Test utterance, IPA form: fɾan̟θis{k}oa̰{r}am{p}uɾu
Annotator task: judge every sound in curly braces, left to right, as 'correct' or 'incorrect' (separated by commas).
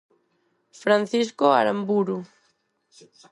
correct, incorrect, incorrect